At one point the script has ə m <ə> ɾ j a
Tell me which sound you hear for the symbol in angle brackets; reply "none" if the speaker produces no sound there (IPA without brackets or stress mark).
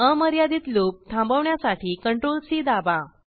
ə